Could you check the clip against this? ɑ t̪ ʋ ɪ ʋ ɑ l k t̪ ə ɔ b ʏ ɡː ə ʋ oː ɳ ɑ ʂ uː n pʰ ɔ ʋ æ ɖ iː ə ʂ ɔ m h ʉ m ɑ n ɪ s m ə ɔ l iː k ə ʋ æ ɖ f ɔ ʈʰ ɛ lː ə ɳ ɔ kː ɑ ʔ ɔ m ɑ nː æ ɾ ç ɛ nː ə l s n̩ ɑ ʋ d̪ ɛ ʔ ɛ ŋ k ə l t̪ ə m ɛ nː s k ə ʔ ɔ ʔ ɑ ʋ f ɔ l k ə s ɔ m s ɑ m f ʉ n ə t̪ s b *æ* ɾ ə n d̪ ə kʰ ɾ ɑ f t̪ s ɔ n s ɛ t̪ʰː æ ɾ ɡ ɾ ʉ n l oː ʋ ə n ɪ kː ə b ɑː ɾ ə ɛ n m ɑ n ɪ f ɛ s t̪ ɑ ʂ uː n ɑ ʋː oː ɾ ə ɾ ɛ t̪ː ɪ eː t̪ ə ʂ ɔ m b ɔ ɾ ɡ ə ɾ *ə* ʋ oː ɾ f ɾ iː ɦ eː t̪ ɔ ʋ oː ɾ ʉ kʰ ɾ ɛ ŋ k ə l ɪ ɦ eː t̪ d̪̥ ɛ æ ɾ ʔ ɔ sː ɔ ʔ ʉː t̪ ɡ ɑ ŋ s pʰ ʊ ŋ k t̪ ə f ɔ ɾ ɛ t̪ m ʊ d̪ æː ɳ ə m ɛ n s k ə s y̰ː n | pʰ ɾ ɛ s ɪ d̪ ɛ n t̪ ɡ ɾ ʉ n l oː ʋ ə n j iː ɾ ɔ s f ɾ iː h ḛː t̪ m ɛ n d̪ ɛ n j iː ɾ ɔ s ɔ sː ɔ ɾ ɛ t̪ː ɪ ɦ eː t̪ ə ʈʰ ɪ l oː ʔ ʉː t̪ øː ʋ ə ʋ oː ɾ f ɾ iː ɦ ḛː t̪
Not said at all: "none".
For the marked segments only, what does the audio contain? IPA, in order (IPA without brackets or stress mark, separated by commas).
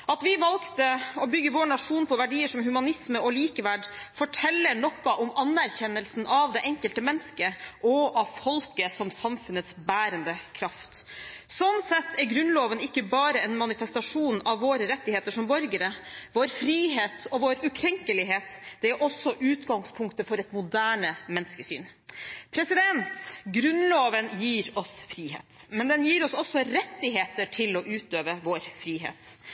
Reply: æː, ə